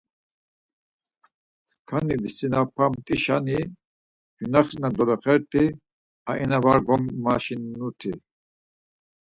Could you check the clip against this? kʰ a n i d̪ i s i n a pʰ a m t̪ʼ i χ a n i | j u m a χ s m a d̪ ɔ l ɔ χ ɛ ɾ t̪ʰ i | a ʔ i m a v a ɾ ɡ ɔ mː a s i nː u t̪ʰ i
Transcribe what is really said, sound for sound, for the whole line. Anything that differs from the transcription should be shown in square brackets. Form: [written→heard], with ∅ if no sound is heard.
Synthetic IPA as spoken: kʰ a n i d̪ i s i n a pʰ a m t̪ʼ i [χ→ʃ] a n i | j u [m→n] a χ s [m→n] a d̪ ɔ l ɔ χ ɛ ɾ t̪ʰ i | a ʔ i [m→n] a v a ɾ ɡ ɔ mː a [s→ʃ] i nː u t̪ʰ i